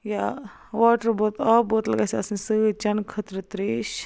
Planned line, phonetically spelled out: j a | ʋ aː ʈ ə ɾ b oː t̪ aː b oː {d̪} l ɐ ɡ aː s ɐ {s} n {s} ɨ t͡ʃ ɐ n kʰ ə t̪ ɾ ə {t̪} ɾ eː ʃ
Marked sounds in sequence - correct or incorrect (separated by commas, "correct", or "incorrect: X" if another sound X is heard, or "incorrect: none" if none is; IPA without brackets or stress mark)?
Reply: incorrect: t̪, correct, correct, correct